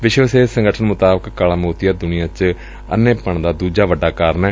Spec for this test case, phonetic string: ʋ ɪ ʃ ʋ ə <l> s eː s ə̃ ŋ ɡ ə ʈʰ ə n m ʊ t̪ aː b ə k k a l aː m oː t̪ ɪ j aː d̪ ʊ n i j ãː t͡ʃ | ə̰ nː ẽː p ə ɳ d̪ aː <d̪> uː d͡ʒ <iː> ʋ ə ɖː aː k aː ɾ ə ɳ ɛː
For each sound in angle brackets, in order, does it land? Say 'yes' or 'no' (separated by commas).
no, yes, no